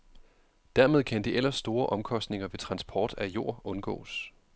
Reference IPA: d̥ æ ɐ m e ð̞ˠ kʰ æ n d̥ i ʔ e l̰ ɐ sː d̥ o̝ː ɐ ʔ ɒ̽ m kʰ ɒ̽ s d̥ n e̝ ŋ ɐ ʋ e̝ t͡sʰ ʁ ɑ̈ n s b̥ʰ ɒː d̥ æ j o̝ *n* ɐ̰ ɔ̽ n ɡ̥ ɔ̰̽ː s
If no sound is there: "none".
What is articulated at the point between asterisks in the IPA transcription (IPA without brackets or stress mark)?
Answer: none